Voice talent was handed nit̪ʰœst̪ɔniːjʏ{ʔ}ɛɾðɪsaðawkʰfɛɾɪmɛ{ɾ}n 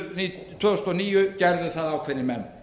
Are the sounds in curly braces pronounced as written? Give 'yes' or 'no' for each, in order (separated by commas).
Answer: no, no